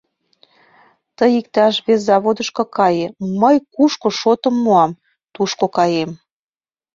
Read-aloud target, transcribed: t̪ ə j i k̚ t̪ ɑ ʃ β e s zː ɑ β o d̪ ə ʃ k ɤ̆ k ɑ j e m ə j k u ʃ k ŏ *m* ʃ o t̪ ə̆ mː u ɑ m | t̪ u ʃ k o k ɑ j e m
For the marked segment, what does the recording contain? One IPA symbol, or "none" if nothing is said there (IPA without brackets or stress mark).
none